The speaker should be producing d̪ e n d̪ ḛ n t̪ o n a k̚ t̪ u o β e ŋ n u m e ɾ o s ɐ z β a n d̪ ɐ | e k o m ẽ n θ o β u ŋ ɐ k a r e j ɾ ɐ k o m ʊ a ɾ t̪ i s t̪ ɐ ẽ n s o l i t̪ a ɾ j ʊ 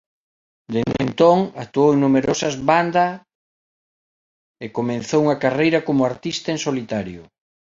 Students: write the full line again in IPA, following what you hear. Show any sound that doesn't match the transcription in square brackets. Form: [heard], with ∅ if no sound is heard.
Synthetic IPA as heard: d̪ e n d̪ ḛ n t̪ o [ŋ] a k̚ t̪ u o [w] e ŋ n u m e ɾ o s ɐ z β a n d̪ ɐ | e k o m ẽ n θ o [w] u ŋ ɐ k a r e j ɾ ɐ k o m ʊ a ɾ t̪ i s t̪ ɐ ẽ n s o l i t̪ a ɾ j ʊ